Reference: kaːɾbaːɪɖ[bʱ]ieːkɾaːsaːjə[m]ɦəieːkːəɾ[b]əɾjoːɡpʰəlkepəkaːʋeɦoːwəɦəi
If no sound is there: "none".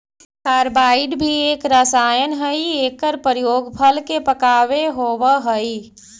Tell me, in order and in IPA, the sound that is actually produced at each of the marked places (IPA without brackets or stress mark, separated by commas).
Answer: bʱ, n, p